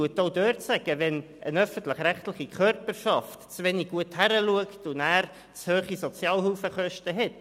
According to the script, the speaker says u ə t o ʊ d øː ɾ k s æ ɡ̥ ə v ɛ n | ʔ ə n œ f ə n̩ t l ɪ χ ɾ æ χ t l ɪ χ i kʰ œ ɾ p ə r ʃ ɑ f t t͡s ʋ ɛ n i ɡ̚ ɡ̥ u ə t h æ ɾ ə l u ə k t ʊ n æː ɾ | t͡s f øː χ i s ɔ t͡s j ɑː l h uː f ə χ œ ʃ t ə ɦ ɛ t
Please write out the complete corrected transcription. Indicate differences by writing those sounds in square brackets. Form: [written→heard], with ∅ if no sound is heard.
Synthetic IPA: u ə t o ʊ d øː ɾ [k→t] s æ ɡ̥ ə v ɛ n | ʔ ə n œ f ə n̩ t l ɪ χ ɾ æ χ t l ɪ χ i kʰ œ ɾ p ə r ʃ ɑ f t t͡s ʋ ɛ n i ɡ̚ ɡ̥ u ə t h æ ɾ ə l u ə k t ʊ n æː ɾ | t͡s [f→h] øː χ i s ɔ t͡s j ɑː l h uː f ə χ œ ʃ t ə ɦ ɛ t